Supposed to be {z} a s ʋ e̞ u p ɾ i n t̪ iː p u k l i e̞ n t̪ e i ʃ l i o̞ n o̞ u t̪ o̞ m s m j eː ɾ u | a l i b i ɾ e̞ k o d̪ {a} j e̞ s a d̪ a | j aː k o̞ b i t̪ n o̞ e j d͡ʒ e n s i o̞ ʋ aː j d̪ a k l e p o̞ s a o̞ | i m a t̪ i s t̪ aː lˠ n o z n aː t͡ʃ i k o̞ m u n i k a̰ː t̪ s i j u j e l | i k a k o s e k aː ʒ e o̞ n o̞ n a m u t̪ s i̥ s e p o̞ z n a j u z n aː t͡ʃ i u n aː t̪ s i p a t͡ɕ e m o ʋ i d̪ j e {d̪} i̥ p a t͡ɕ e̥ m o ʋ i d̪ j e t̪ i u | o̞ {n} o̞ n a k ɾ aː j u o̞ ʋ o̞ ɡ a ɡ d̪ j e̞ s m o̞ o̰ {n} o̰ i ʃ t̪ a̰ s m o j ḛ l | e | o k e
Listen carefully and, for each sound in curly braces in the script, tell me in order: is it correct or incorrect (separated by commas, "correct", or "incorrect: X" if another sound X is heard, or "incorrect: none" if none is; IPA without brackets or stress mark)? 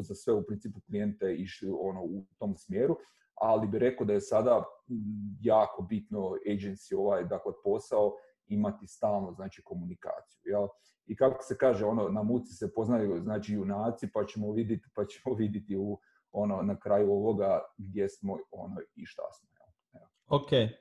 correct, correct, incorrect: t̪, correct, correct